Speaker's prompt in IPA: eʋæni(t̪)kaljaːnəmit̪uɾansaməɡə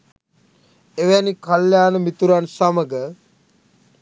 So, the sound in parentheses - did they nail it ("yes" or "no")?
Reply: no